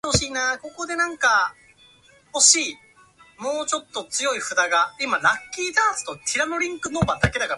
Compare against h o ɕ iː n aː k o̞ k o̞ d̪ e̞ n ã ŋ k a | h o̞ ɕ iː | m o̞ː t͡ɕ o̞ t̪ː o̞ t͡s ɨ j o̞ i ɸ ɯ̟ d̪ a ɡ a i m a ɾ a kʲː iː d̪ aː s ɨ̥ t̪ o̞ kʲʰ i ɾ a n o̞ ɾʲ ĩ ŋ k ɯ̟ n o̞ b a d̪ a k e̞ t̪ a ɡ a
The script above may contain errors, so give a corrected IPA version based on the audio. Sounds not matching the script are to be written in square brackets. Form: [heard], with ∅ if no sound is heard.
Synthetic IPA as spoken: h o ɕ iː n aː k o̞ k o̞ d̪ e̞ n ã ŋ k a | h o̞ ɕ iː | m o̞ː t͡ɕ o̞ t̪ː o̞ t͡s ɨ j o̞ i ɸ ɯ̟ d̪ a ɡ a i m a ɾ a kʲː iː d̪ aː s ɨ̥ t̪ o̞ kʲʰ i ɾ a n o̞ ɾʲ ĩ ŋ k ɯ̟ n o̞ b a d̪ a k e̞ [d̪] a [k] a